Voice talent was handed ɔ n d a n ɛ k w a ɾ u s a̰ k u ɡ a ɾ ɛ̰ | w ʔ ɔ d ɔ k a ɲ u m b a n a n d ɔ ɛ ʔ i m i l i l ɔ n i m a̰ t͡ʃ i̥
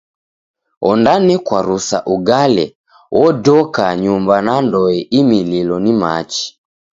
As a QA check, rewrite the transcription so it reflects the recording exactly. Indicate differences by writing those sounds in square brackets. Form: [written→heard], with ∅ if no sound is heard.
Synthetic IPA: ɔ n d a n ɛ k w a ɾ u s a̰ [k→ʔ] u ɡ a [ɾ→l] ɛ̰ | w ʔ ɔ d ɔ k a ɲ u m b a n a n d ɔ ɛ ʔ i m i l i l ɔ n i m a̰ t͡ʃ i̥